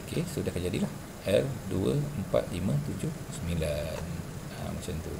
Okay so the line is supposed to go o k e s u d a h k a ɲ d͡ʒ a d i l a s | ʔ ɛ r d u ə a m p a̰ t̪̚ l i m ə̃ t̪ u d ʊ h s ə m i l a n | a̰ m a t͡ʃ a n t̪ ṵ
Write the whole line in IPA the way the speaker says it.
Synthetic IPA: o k e s u d a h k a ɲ d͡ʒ a d i l a h | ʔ ɛ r d u ə ə m p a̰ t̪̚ l i m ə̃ t̪ u d͡ʒ ʊ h s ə m i l a n | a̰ m a t͡ʃ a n t̪ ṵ